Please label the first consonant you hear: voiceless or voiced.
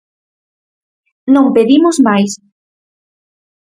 voiced